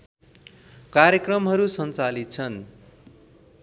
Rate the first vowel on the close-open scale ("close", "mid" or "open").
open